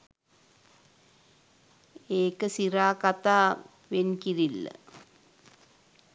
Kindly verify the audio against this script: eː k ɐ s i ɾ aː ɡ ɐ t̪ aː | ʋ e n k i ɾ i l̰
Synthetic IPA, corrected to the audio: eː k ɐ s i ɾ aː k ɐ t̪ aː | ʋ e n k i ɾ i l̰